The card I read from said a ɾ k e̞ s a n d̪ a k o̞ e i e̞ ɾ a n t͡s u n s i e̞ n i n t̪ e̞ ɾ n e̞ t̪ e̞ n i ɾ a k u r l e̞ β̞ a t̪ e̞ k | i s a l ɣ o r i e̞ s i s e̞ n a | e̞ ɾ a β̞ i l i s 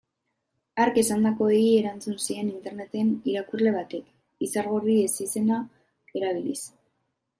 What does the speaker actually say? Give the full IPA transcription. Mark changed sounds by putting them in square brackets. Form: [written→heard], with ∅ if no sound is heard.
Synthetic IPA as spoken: a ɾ k e̞ s a n d̪ a k o̞ e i e̞ ɾ a n t͡s u n s i e̞ n i n t̪ e̞ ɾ n e̞ t̪ e̞ n i ɾ a k u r l e̞ β̞ a t̪ e̞ k | i s a [l→ɾ] ɣ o r i e̞ s i s e̞ n a | e̞ ɾ a β̞ i l i s